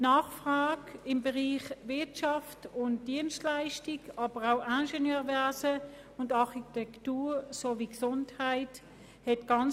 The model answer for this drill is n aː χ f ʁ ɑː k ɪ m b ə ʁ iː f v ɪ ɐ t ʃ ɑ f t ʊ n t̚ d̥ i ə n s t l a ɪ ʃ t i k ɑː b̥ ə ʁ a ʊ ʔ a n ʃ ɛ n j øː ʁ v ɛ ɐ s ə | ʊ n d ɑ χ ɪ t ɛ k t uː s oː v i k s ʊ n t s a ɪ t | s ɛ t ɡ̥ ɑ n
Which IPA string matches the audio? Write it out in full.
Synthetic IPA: n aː χ f ʁ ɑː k ɪ m b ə ʁ iː χ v ɪ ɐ t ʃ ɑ f t ʊ n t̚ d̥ i ə n s t l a ɪ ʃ t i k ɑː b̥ ə ʁ a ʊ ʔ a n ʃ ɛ n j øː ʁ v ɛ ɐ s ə | ʊ n d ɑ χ i t ɛ k t uː s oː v i k s ʊ n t h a ɪ t | h ɛ t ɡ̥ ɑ n